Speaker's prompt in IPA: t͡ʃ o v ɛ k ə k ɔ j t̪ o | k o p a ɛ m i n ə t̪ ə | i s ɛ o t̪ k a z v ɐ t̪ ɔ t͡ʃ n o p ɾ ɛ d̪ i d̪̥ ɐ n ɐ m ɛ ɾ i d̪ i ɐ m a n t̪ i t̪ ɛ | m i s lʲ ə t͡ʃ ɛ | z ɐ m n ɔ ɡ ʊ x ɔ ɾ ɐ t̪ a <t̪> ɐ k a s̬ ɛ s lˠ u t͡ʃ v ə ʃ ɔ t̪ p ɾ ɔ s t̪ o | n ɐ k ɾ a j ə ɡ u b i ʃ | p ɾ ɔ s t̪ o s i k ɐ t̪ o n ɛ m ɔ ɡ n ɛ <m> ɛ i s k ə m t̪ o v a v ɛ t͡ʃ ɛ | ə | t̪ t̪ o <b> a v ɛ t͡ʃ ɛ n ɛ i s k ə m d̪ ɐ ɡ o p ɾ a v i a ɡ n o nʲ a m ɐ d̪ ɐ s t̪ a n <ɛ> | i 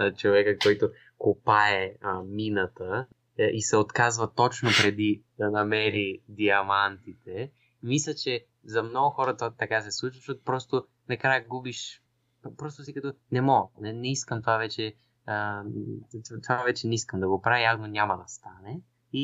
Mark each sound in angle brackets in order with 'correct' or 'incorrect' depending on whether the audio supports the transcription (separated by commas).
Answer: correct, incorrect, incorrect, correct